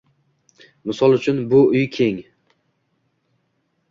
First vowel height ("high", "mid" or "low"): high